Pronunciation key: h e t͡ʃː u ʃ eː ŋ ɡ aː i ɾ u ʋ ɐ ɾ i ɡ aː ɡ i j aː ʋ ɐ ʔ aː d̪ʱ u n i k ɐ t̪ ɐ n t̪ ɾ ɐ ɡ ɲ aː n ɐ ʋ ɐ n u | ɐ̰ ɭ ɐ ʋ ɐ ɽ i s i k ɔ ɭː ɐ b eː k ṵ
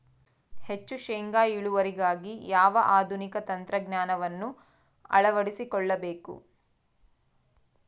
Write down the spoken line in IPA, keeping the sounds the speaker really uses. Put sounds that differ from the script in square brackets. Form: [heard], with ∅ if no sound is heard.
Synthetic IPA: h e t͡ʃː u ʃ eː ŋ ɡ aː i [ɭ] u ʋ ɐ ɾ i ɡ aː ɡ i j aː ʋ ɐ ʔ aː d̪ʱ u n i k ɐ t̪ ɐ n t̪ ɾ ɐ ɡ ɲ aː n ɐ ʋ ɐ [nː] u | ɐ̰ ɭ ɐ ʋ ɐ ɽ i s i k ɔ ɭː ɐ b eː k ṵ